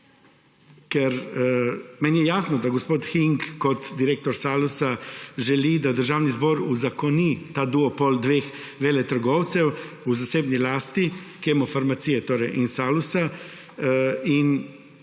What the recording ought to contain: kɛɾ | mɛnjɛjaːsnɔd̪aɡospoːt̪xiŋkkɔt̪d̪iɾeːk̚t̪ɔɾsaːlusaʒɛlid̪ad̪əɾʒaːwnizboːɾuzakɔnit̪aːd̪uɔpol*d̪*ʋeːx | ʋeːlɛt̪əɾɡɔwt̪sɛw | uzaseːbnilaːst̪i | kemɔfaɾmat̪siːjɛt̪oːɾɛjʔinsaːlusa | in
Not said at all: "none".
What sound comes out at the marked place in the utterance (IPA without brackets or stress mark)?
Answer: d̪